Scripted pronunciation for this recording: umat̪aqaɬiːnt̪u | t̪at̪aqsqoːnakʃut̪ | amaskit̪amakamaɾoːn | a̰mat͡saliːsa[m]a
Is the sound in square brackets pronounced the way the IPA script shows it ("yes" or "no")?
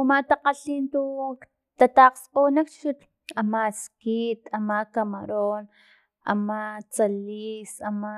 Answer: yes